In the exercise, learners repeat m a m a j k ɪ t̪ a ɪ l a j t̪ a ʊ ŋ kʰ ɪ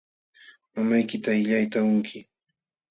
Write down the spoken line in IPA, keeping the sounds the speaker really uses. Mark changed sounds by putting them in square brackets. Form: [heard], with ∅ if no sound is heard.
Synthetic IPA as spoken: m a m a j k ɪ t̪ a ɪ [ʎ] a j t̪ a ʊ ŋ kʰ ɪ